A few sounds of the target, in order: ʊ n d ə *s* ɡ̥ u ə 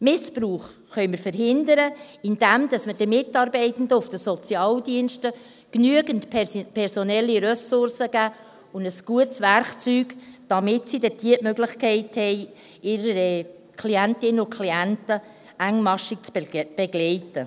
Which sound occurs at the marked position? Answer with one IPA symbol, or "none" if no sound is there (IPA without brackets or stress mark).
s